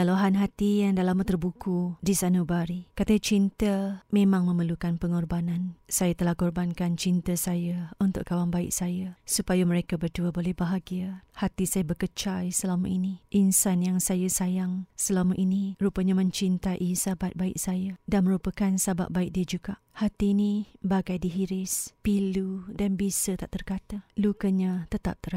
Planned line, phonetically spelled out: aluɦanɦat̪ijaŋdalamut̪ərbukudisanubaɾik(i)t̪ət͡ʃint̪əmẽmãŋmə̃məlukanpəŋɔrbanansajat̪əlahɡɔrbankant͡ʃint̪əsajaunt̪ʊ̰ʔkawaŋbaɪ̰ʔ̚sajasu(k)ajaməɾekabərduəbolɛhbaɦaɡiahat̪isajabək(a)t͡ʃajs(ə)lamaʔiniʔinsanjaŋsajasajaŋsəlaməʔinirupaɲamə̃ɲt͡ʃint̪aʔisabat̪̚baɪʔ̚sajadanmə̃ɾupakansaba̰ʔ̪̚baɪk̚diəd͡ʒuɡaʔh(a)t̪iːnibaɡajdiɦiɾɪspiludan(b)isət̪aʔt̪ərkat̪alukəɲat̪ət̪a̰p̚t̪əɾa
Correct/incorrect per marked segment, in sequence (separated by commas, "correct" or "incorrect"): incorrect, incorrect, incorrect, correct, correct, correct